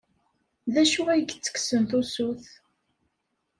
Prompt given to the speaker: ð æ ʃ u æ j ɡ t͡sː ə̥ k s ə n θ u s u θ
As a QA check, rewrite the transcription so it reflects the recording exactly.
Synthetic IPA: ð æ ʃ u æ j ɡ t͡sː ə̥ k s ə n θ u s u θ